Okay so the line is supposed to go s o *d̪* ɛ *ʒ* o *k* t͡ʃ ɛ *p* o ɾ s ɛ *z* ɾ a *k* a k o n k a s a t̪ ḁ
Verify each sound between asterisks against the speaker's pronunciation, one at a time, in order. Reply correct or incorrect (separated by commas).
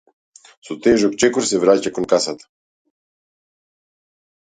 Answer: incorrect, correct, correct, incorrect, incorrect, incorrect